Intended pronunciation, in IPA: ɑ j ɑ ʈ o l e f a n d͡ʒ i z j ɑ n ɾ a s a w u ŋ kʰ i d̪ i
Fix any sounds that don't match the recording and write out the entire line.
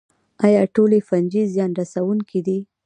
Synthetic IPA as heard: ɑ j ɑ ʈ o l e f a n d͡ʒ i z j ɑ n ɾ a s a w u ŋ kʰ i d̪ i